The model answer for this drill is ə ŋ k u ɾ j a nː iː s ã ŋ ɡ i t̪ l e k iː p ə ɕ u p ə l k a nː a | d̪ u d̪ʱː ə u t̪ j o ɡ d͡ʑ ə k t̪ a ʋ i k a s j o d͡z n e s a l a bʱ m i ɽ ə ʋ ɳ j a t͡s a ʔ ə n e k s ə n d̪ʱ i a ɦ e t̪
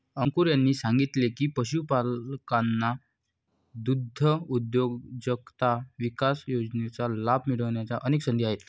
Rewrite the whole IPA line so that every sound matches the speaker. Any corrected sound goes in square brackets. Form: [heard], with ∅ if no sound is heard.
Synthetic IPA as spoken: ə ŋ k u ɾ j a nː iː s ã ŋ ɡ i t̪ l e k iː p ə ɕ u p [a] l k a nː a | d̪ u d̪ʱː ə u [d̪] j o ɡ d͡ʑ ə k t̪ a ʋ i k a s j o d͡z n e [t͡s] a l a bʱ m i ɽ ə ʋ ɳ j a t͡s a ʔ ə n e k s ə n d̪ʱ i a ɦ e t̪